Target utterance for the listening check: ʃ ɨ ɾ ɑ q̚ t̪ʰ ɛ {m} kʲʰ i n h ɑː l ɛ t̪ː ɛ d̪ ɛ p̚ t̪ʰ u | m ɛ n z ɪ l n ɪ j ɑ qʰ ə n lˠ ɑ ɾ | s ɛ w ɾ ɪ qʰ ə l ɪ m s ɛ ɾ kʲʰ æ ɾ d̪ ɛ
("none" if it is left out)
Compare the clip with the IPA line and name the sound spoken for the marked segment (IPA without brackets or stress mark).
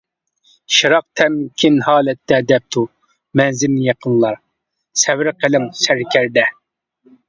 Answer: m